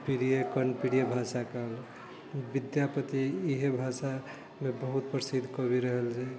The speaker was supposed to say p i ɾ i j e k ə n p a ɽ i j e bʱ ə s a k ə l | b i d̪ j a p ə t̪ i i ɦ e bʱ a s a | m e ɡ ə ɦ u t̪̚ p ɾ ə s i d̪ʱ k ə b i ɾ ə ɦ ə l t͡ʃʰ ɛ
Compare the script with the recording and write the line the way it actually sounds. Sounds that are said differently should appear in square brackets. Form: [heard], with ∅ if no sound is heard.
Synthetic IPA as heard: p i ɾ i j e k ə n p [i] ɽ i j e bʱ [a] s a k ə l | b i d̪ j a p ə t̪ i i ɦ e bʱ a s a | m e [b] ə ɦ u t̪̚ p ɾ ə s i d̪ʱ k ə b i ɾ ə ɦ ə l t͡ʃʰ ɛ